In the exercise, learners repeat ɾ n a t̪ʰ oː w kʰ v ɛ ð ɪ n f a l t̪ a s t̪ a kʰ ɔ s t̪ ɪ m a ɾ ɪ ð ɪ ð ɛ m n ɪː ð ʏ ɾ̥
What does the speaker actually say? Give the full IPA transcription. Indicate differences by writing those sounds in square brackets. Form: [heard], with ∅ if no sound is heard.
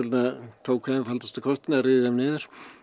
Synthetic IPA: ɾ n a t̪ʰ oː w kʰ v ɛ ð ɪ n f a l t̪ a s t̪ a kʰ ɔ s t̪ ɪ [n] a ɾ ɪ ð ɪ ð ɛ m n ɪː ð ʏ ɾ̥